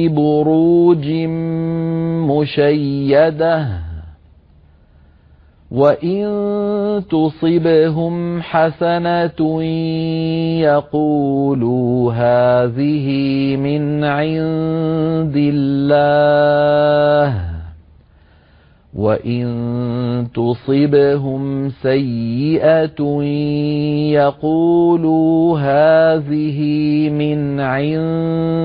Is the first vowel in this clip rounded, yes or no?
yes